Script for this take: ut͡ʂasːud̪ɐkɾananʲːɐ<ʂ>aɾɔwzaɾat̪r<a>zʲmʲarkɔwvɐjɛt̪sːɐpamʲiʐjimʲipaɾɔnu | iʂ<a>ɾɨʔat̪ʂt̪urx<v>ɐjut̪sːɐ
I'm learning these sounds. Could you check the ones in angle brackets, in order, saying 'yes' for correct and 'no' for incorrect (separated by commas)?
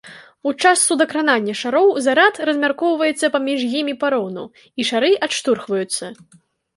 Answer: yes, no, yes, yes